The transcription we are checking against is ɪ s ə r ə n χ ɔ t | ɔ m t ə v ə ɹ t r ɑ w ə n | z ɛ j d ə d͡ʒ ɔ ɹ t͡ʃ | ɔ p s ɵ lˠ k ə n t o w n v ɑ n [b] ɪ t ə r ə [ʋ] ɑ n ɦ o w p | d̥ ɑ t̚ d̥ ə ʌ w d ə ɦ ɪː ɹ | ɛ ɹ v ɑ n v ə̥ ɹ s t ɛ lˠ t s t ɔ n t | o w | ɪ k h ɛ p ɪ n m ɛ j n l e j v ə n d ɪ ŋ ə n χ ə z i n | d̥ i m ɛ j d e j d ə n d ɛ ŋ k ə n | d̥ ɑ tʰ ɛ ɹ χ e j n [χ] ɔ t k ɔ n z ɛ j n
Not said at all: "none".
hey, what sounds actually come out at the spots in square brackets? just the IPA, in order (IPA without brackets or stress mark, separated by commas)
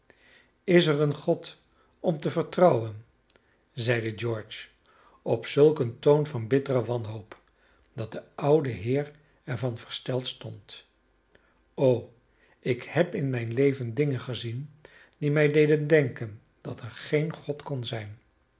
b, ʋ, χ